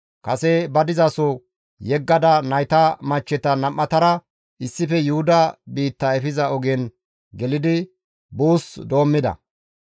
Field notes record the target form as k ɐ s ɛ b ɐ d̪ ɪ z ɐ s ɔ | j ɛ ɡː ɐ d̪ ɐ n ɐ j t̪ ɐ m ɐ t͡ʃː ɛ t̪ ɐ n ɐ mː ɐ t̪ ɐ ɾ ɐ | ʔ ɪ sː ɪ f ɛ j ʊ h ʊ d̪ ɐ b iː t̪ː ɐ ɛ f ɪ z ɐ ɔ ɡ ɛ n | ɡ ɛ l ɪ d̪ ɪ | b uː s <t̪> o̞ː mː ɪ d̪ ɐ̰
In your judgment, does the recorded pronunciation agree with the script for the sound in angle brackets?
no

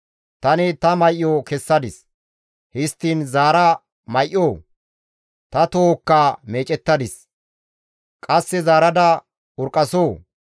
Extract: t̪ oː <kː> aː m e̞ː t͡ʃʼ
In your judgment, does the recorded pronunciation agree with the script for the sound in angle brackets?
yes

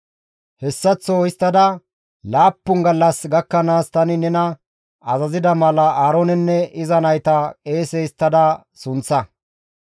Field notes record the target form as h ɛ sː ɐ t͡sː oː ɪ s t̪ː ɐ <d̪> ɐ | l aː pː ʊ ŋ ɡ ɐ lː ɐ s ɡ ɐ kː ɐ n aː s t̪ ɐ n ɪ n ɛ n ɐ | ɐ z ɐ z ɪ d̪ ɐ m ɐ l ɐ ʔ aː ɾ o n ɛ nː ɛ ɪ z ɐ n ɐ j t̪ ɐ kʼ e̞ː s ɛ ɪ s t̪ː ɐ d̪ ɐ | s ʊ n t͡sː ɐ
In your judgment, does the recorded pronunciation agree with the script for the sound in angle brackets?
yes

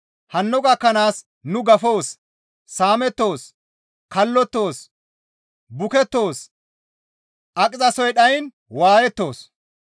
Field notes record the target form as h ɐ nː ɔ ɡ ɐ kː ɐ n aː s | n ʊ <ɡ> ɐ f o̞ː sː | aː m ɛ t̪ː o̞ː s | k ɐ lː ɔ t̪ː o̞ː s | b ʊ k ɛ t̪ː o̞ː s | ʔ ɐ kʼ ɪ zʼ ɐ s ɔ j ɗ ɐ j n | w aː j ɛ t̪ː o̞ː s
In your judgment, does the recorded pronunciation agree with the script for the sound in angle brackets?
yes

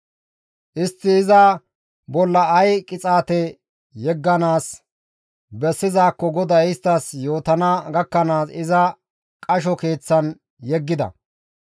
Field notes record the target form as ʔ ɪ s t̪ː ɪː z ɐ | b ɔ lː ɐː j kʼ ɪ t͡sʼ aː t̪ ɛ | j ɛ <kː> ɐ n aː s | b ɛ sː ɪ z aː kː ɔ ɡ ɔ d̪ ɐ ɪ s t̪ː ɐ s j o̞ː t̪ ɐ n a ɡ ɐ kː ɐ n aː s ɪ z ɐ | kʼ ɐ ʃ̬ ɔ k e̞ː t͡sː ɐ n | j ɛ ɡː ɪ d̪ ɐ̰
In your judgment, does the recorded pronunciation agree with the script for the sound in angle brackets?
no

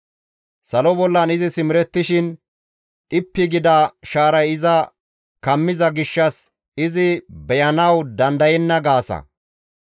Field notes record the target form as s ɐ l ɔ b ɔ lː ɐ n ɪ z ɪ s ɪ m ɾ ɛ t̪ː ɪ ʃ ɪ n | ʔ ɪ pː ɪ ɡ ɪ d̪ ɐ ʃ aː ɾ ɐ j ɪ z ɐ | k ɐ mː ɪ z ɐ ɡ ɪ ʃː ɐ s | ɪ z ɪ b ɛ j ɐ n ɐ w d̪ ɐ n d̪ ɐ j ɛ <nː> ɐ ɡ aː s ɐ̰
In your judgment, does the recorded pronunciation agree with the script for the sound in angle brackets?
yes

